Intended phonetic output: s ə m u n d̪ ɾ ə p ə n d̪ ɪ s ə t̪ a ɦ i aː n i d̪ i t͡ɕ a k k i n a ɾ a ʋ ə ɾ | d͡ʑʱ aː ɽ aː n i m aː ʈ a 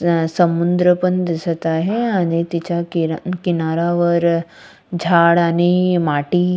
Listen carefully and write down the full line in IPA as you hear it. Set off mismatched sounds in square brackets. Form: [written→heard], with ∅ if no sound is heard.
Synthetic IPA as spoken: s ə m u n d̪ ɾ ə p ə n d̪ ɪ s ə t̪ a ɦ [i→e] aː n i [d̪→t̪] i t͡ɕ a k k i n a ɾ a ʋ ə ɾ | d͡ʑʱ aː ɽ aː n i m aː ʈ [a→i]